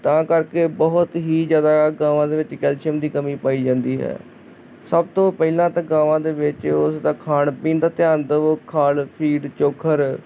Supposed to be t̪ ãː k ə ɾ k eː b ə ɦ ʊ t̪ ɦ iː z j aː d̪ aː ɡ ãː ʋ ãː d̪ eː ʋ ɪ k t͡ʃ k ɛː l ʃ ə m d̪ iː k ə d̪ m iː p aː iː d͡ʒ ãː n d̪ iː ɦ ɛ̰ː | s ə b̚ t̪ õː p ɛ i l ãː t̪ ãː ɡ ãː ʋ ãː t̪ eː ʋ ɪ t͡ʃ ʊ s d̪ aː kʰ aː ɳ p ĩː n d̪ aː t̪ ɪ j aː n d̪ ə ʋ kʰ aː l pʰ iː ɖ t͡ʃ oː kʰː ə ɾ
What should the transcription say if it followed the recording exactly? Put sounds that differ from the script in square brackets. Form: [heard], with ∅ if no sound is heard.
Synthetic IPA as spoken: t̪ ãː k ə ɾ k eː b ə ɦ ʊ t̪ ɦ iː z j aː d̪ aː ɡ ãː ʋ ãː d̪ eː ʋ ɪ [∅] t͡ʃ k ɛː l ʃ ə m d̪ iː k ə [∅] m iː p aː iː d͡ʒ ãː n d̪ iː ɦ ɛ̰ː | s ə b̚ t̪ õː p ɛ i l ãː t̪ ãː ɡ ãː ʋ ãː [d̪] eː ʋ ɪ t͡ʃ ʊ s d̪ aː kʰ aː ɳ p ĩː n d̪ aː t̪ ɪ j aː n d̪ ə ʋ kʰ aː l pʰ iː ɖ t͡ʃ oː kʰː ə ɾ